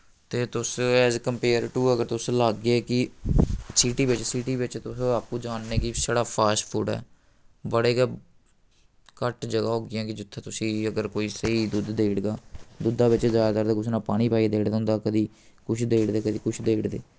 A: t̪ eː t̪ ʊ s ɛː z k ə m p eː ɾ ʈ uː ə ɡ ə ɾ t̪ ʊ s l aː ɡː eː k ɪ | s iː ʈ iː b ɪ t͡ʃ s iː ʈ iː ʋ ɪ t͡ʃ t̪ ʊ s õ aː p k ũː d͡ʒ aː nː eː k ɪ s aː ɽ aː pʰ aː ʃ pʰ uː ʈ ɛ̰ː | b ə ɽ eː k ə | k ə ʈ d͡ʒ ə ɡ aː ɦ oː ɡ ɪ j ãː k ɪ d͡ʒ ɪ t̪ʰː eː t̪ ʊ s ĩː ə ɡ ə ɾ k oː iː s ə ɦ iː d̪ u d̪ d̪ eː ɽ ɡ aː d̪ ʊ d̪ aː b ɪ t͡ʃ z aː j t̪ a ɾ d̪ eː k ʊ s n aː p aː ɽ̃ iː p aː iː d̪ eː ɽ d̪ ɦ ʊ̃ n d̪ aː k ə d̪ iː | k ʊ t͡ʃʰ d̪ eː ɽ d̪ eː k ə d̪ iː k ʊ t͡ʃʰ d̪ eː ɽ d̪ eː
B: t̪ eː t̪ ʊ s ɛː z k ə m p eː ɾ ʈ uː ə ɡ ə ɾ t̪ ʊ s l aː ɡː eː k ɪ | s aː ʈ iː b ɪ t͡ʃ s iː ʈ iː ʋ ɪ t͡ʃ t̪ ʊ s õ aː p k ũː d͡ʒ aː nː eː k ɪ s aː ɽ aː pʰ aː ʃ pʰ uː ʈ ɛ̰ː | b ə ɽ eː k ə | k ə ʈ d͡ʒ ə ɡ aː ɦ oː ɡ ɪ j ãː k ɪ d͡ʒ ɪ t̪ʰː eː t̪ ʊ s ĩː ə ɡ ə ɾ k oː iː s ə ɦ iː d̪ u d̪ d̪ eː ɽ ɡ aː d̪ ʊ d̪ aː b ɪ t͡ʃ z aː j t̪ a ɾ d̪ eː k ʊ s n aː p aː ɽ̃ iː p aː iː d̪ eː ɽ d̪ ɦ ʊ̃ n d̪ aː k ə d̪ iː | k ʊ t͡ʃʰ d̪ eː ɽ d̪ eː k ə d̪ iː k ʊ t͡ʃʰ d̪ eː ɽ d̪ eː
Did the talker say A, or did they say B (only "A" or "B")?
A